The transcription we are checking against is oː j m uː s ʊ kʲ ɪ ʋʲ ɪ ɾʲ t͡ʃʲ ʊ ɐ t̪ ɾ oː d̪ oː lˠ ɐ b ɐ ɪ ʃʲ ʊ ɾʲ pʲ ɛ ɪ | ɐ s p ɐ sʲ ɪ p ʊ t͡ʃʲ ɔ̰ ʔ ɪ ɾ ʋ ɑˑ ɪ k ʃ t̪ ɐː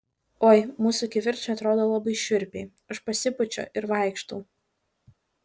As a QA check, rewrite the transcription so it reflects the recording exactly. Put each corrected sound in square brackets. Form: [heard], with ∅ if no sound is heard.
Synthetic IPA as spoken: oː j m uː s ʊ kʲ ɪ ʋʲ ɪ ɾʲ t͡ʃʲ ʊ ɐ t̪ ɾ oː d̪ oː lˠ ɐ b ɐ ɪ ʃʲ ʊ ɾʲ pʲ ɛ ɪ | ɐ [ʃ] p ɐ sʲ ɪ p ʊ t͡ʃʲ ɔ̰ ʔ ɪ ɾ ʋ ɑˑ ɪ k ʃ t̪ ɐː